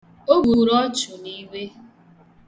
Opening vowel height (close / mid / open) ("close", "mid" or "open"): mid